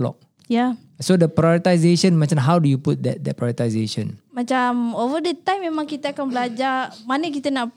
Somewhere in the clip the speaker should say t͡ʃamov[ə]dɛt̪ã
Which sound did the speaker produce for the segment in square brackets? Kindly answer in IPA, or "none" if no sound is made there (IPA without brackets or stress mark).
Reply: ə